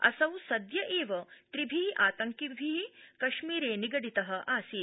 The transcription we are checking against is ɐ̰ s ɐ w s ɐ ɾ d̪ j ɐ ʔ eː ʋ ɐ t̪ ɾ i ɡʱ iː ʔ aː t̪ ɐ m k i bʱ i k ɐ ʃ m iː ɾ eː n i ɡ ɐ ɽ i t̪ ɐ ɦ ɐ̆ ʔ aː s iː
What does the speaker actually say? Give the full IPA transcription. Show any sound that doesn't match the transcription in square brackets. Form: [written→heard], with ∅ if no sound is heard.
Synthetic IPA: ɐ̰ s ɐ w s ɐ [ɾ→∅] d̪ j ɐ ʔ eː ʋ ɐ t̪ ɾ i [ɡʱ→bʱ] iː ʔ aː t̪ ɐ [m→ŋ] k i bʱ i k ɐ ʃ m iː ɾ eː n i ɡ ɐ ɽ i t̪ ɐ ɦ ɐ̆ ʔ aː s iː